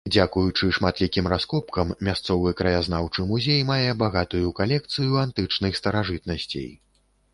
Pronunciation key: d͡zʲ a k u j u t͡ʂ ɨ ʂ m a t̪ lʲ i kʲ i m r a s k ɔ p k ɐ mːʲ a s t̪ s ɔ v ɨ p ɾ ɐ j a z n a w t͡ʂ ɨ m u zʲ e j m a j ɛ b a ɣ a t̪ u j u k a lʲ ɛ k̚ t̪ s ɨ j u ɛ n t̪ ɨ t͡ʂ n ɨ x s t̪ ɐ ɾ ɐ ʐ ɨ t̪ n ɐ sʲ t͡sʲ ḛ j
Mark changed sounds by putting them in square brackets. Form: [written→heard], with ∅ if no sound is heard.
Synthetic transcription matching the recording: d͡zʲ a k u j u t͡ʂ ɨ ʂ m a t̪ lʲ i kʲ i m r a s k ɔ p k ɐ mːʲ a s t̪ s ɔ v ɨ [p→k] ɾ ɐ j a z n a w t͡ʂ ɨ m u zʲ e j m a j ɛ b a ɣ a t̪ u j u k a lʲ ɛ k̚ t̪ s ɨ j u [ɛ→a] n t̪ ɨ t͡ʂ n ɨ x s t̪ ɐ ɾ [ɐ→a] ʐ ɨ t̪ n ɐ sʲ t͡sʲ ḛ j

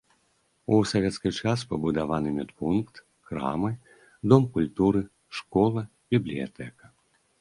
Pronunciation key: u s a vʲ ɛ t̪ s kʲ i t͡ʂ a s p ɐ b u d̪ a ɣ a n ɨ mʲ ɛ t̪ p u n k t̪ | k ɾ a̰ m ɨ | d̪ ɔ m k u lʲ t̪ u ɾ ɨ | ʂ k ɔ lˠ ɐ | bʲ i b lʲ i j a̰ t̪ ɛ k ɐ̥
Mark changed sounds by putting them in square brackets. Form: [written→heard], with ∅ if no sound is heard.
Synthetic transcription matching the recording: u s a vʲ ɛ t̪ s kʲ i t͡ʂ a s p ɐ b u d̪ a [ɣ→v] a n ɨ mʲ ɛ t̪ p u n k t̪ | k ɾ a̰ m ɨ | d̪ ɔ m k u lʲ t̪ u ɾ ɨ | ʂ k ɔ lˠ ɐ | bʲ i b lʲ i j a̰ t̪ ɛ k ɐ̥

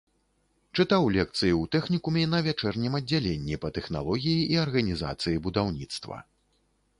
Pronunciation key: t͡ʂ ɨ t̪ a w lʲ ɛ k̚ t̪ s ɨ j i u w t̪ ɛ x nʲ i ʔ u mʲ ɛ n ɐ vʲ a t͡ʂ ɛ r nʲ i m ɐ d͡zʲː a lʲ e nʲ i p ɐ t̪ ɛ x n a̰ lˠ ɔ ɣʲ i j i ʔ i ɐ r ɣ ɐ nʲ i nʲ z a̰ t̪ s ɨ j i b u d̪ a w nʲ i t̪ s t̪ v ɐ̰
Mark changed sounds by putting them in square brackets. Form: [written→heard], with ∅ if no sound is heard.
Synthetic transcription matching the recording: t͡ʂ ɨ t̪ a w lʲ ɛ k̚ t̪ s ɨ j i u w t̪ ɛ x nʲ i [ʔ→k] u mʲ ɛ n ɐ vʲ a t͡ʂ ɛ r nʲ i m ɐ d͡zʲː a lʲ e [nʲ→nʲː] i p ɐ t̪ ɛ x n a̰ lˠ ɔ ɣʲ i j i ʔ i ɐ r ɣ ɐ nʲ i [nʲ→∅] z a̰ t̪ s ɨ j i b u d̪ a w nʲ i t̪ s t̪ v ɐ̰

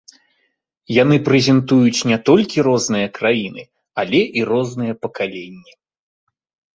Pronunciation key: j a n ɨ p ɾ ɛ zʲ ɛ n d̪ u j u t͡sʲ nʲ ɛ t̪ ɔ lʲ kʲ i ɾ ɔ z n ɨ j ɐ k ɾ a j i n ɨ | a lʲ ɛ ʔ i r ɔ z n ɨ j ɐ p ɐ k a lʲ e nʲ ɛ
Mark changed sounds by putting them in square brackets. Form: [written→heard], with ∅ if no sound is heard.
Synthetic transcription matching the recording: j a n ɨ p ɾ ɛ zʲ ɛ n [d̪→t̪] u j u t͡sʲ nʲ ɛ t̪ ɔ lʲ kʲ i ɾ ɔ z n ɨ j ɐ k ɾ a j i n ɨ | a lʲ ɛ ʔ i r ɔ z n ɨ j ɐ p ɐ k a lʲ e [nʲ→nʲː] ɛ

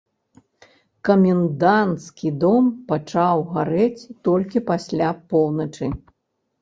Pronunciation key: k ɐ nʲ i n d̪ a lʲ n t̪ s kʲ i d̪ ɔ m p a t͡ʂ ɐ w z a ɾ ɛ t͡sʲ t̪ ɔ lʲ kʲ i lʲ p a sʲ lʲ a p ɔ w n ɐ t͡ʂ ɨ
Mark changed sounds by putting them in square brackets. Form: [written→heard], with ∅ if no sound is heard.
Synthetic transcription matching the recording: k ɐ [nʲ→mʲ] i n d̪ a [lʲ→∅] n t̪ s kʲ i d̪ ɔ m p a t͡ʂ [ɐ→a] w [z→ɣ] a ɾ ɛ t͡sʲ t̪ ɔ lʲ kʲ i [lʲ→∅] p a sʲ lʲ a p ɔ w n ɐ t͡ʂ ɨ

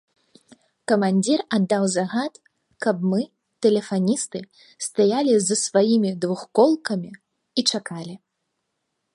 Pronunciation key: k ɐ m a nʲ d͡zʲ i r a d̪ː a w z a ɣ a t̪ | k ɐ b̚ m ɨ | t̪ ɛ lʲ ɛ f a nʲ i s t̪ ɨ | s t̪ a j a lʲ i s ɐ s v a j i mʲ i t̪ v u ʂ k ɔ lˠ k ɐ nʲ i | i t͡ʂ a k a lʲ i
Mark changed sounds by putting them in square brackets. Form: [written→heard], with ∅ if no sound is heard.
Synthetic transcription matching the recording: k ɐ m a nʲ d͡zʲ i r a d̪ː a w z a ɣ a t̪ | k ɐ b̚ m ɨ | t̪ ɛ lʲ ɛ f a nʲ i s t̪ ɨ | s t̪ a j a lʲ i [s→z] ɐ s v a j i mʲ i [t̪→d̪] v u [ʂ→x] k ɔ lˠ k ɐ [nʲ→mʲ] i | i t͡ʂ a k a lʲ i

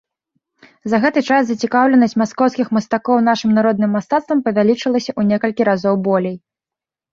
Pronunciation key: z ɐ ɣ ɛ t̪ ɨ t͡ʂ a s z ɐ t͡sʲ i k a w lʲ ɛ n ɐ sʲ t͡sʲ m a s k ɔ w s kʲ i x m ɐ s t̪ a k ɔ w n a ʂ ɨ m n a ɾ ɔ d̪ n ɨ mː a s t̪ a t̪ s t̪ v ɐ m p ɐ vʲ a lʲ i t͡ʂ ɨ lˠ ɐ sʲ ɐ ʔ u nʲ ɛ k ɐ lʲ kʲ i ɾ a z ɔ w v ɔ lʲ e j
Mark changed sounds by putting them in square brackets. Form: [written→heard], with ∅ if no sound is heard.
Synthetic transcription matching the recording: z ɐ ɣ ɛ t̪ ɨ t͡ʂ a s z ɐ t͡sʲ i k a w lʲ ɛ n ɐ sʲ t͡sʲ m a s k ɔ w s kʲ i x m ɐ s t̪ a k ɔ w n a ʂ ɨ m n a ɾ ɔ d̪ n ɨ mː a s t̪ a t̪ s t̪ v ɐ m p ɐ vʲ a lʲ i t͡ʂ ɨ lˠ ɐ sʲ ɐ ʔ u nʲ ɛ k ɐ lʲ kʲ i ɾ a z ɔ w [v→b] ɔ lʲ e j

